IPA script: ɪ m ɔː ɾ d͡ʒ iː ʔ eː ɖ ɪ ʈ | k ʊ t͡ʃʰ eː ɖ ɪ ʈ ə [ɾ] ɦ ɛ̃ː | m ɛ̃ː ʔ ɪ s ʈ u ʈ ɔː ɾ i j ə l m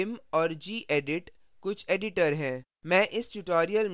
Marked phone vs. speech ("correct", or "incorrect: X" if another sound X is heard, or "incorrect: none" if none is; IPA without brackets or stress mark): correct